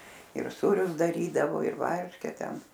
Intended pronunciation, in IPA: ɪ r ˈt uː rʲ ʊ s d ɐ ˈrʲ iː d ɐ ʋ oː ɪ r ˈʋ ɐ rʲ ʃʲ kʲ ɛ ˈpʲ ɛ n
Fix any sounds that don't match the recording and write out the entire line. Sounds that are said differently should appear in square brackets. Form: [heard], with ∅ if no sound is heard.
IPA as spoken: ɪ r [ˈs] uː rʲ ʊ s d ɐ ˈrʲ iː d ɐ ʋ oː ɪ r ˈʋ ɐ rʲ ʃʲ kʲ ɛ [ˈtʲ] ɛ n